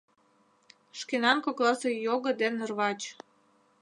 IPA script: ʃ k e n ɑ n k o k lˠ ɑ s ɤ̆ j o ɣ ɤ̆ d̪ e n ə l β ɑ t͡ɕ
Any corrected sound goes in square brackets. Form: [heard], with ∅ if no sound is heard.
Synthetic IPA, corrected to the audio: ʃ k e n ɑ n k o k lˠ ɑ s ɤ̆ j o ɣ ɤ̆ d̪ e n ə [r] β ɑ t͡ɕ